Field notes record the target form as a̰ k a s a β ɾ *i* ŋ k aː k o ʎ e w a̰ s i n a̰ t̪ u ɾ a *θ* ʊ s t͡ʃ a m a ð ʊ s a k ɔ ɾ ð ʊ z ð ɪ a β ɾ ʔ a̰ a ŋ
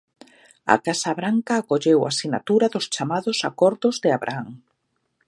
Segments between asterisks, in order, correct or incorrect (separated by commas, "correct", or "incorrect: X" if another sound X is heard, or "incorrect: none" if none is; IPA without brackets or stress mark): incorrect: a, incorrect: ð